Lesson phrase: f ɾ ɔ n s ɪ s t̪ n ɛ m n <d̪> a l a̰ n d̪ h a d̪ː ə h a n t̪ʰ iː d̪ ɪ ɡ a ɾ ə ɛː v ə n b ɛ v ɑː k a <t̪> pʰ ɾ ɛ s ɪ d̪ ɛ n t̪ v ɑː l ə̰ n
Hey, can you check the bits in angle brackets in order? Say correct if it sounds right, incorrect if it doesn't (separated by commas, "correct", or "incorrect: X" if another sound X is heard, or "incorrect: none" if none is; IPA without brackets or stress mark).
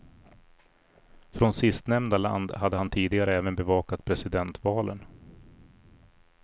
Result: correct, correct